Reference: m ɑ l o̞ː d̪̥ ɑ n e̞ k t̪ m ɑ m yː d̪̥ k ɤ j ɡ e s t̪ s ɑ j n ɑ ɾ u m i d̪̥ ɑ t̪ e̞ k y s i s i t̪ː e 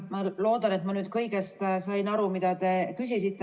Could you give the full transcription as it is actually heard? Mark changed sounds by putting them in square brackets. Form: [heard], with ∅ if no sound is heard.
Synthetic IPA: m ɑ l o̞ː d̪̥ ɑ n e̞ [∅] t̪ m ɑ [n] yː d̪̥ k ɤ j ɡ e s t̪ s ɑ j n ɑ ɾ u m i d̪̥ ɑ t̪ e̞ k y s i s i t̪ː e

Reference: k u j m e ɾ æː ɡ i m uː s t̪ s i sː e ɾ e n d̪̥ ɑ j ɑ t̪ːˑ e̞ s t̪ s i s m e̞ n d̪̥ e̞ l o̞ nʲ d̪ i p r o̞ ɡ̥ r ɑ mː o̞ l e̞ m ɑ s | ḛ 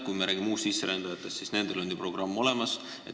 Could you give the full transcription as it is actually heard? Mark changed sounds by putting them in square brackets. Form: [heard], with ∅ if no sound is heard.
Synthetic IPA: k u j m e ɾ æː ɡ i m uː s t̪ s i sː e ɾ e n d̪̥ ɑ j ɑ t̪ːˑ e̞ s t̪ s i s [n] e̞ n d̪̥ e̞ l o̞ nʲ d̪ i p r o̞ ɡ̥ r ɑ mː o̞ l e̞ m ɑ s | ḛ

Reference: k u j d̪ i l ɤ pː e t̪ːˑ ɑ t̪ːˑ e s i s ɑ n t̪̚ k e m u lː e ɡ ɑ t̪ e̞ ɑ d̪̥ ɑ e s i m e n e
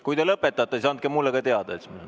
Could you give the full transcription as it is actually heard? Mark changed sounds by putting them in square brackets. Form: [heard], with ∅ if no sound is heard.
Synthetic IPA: k u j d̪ [e] l ɤ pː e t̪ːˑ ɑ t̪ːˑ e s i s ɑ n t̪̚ k e m u lː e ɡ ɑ t̪ e̞ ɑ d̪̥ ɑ e s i m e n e

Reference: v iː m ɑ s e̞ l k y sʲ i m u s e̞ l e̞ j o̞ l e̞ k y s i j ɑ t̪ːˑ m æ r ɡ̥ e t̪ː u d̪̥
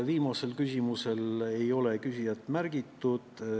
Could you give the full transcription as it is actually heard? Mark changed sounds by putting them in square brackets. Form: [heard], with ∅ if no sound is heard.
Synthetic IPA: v iː m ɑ s e̞ l k y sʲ i m u s e̞ l e̞ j o̞ l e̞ k y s i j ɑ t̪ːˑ m æ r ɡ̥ [i] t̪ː u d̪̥

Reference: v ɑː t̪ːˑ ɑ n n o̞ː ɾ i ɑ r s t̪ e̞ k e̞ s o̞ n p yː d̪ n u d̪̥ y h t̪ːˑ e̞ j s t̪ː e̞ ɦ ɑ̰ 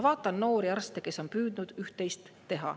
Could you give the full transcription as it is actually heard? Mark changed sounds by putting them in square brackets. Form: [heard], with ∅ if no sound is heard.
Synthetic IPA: v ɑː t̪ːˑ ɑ n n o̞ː ɾ i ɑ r s t̪ e̞ k e̞ s o̞ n p yː d̪ n u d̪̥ y h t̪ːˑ e̞ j s t̪ː e̞ ɦ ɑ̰

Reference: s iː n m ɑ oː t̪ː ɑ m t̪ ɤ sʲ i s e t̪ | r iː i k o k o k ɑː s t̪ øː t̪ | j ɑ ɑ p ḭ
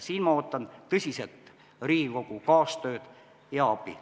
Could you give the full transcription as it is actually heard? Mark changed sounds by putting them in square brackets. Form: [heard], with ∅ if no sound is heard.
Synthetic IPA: s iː n m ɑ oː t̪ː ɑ [n] t̪ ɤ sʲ i s e t̪ | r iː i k o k [u] k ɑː s t̪ øː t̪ | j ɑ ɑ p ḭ

